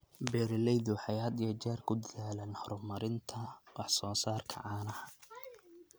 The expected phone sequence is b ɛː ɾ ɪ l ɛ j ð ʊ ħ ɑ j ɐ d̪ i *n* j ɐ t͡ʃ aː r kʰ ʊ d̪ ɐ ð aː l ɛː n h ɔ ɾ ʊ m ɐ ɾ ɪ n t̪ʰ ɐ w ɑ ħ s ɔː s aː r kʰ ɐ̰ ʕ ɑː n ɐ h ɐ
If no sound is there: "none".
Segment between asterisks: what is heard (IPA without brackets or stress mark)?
none